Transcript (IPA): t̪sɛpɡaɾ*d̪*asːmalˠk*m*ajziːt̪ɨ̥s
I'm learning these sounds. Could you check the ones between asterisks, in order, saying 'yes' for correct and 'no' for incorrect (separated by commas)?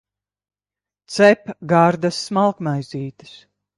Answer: yes, yes